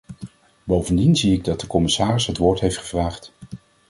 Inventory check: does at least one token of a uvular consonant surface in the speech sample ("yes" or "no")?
yes